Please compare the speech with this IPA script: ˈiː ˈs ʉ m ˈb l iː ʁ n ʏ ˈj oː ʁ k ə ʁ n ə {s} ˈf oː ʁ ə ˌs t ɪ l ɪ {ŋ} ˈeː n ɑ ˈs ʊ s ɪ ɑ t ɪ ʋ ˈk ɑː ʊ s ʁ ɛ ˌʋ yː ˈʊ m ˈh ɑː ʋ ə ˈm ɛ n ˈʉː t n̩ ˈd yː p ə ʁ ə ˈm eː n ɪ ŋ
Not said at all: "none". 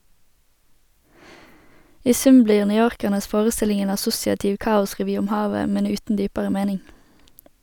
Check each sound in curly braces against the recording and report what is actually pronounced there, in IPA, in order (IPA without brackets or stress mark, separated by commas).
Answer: s, ŋ